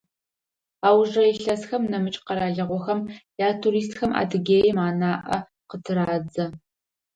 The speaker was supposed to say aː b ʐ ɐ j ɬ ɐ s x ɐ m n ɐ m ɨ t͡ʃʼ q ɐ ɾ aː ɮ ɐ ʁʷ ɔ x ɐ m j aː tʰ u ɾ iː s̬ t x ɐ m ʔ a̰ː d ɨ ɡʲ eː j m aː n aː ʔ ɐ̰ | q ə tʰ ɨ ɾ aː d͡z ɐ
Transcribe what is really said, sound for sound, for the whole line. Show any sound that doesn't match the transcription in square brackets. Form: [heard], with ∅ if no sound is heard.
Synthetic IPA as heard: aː [w] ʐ ɐ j ɬ ɐ s x ɐ m n ɐ m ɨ t͡ʃʼ q ɐ ɾ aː ɮ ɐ ʁʷ ɔ x ɐ m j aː tʰ u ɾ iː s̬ t x ɐ m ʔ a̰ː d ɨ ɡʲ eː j m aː n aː ʔ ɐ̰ | q ə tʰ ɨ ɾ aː d͡z ɐ